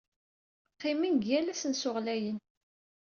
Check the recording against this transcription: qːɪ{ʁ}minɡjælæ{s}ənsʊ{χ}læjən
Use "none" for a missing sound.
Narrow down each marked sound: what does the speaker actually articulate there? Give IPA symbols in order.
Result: none, s, ʁ

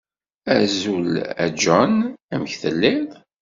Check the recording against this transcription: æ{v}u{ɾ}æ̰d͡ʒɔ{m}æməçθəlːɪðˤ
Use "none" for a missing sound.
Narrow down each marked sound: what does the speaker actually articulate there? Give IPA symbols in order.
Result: z, l, n

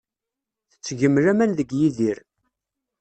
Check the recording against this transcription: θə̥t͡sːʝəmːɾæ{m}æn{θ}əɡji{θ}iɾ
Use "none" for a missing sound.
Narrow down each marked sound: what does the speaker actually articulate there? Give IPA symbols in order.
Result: m, ð, ð

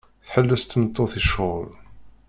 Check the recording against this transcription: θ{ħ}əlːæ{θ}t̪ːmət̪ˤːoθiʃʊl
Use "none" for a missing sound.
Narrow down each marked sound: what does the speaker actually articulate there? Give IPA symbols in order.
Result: ħ, s

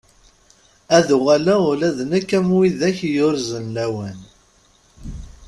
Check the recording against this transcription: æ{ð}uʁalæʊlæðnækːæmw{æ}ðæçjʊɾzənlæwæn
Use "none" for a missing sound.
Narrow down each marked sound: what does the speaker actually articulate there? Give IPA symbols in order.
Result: ð, i

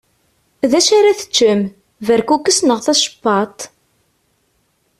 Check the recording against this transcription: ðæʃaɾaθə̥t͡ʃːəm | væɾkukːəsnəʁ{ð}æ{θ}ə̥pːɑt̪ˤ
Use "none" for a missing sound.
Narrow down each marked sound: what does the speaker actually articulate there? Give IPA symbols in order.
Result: θ, ʃ

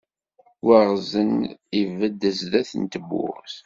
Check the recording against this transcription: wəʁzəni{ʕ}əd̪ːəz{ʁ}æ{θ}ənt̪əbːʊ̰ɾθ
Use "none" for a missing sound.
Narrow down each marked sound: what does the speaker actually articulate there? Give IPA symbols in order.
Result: v, ð, θ

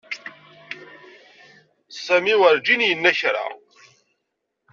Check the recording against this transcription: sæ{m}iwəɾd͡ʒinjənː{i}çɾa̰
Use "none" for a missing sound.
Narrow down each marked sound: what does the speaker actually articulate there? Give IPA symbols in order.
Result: m, æ

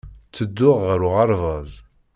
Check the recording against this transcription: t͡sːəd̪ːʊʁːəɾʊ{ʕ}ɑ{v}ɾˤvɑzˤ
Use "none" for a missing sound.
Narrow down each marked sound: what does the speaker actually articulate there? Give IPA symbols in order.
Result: ʁ, none

